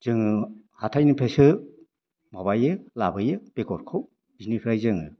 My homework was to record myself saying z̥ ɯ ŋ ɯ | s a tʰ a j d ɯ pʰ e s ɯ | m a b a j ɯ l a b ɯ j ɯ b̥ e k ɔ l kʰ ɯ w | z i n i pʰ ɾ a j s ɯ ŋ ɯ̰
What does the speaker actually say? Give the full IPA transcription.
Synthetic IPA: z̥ ɯ ŋ ɯ | h a tʰ a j n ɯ pʰ e s ɯ | m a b a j ɯ l a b ɯ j ɯ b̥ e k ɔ ɾ kʰ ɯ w | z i n i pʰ ɾ a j z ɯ ŋ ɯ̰

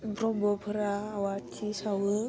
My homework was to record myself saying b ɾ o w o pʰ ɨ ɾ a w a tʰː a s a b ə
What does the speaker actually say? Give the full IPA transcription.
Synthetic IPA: b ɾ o b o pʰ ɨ ɾ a w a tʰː i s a w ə

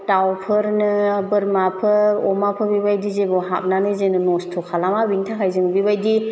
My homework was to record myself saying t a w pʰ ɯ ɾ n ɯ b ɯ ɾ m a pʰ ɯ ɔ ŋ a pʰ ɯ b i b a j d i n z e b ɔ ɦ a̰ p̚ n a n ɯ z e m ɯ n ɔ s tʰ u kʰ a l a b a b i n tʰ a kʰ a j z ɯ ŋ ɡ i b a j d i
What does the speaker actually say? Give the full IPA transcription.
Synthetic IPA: t a w pʰ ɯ ɾ n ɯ b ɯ ɾ m a pʰ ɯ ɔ m a pʰ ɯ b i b a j d i z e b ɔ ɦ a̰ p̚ n a n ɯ z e n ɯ n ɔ s tʰ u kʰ a l a m a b i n tʰ a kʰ a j z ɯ ŋ b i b a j d i

